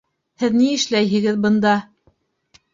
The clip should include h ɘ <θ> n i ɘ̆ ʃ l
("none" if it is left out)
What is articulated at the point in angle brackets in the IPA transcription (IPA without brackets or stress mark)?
ð